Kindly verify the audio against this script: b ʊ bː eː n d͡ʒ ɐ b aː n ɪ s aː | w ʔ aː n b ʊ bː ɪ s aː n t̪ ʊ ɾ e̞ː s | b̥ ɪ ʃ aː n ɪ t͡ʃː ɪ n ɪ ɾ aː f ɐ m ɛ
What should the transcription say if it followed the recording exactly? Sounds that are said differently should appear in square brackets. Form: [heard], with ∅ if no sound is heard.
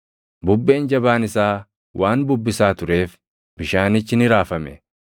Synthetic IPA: b ʊ bː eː n d͡ʒ ɐ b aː n ɪ s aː | w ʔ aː n b ʊ bː ɪ s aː [∅] t̪ ʊ ɾ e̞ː [f] | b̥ ɪ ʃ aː n ɪ t͡ʃː ɪ n ɪ ɾ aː f ɐ m ɛ